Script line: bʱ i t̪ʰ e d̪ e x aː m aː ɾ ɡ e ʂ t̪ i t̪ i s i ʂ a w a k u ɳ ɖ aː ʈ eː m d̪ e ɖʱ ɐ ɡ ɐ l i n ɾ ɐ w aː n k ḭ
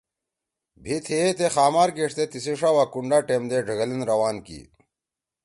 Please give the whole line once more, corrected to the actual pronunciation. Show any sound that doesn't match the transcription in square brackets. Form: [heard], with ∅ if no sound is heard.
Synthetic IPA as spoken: bʱ i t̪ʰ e [t̪] e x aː m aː ɾ ɡ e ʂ t̪ [e] t̪ i s i ʂ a w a k u ɳ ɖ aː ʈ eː m d̪ e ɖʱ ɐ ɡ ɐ l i n ɾ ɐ w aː n k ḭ